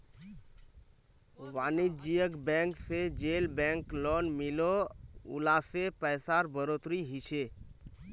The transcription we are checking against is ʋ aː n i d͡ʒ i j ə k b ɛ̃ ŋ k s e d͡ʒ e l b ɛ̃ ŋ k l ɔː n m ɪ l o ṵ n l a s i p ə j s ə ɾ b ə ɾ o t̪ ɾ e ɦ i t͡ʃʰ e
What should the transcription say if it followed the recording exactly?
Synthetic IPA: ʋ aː n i d͡ʒ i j ə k b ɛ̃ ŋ k s e d͡ʒ e l b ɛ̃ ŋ k l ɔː n m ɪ l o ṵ l a s e p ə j s a ɾ b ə ɾ o t̪ ɾ i ɦ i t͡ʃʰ e